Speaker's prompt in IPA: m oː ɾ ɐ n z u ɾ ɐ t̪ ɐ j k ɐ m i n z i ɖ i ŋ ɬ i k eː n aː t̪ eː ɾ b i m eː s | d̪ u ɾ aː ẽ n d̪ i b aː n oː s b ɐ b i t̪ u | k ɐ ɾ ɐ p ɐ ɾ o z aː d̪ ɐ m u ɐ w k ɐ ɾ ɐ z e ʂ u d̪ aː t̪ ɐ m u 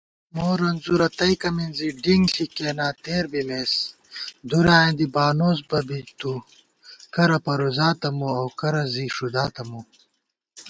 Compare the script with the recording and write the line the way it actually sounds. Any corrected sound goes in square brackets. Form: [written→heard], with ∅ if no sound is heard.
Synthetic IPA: m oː ɾ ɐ n z u ɾ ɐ t̪ ɐ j k ɐ m i n z i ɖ i ŋ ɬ i k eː n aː t̪ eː ɾ b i m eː s | d̪ u ɾ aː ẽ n d̪ i b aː n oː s b ɐ b i t̪ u | k ɐ ɾ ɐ p ɐ ɾ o z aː [d̪→t̪] ɐ m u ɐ w k ɐ ɾ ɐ z [e→i] ʂ u d̪ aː t̪ ɐ m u